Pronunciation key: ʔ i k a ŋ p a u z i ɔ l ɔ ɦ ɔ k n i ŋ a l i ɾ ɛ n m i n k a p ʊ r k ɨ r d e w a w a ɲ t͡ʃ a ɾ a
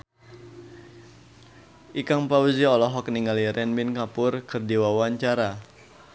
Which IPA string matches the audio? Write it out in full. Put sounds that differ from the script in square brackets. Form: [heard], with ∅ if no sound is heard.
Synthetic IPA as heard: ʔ i k a ŋ p a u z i ɔ l ɔ ɦ ɔ k n i ŋ a l i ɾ ɛ n m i n k a p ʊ r k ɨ r d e w a w a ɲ t͡ʃ a ɾ a